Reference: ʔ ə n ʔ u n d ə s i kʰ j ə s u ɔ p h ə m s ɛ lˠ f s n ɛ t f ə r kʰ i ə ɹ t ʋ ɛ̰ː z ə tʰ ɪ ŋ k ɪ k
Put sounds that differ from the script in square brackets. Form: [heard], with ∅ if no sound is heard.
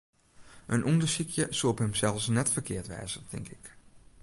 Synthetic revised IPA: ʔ ə n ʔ u n d ə s i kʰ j ə s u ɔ p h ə m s ɛ lˠ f s n ɛ t f ə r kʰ [ɪ] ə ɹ t ʋ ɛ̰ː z ə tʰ ɪ ŋ k ɪ k